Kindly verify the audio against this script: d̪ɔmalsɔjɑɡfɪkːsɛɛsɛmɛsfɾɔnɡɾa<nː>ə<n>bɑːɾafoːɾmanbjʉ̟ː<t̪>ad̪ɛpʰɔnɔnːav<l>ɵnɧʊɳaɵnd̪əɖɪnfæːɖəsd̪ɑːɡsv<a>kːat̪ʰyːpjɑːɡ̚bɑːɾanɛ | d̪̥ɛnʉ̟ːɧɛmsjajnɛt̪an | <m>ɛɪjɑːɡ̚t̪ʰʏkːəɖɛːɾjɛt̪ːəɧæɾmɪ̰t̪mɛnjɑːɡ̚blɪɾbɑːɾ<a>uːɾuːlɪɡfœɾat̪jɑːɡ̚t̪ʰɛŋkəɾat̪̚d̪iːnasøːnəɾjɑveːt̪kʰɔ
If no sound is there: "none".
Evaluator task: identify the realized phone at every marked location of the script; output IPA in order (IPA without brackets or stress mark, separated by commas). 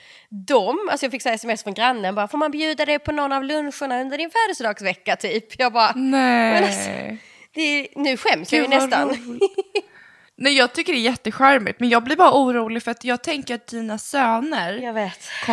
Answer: nː, n, d̪, l, ɛ, n, a